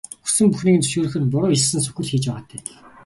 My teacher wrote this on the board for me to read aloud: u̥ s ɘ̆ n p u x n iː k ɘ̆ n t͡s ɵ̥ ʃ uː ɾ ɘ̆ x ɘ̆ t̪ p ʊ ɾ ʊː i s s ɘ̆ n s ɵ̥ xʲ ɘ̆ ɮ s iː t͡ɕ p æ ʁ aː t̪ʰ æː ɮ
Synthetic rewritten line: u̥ s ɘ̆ m p u x n iː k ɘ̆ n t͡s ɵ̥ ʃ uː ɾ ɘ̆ x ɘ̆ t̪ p ʊ ɾ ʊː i s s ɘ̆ n s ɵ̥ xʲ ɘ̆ ɮ x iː t͡ɕ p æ ʁ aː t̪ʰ æː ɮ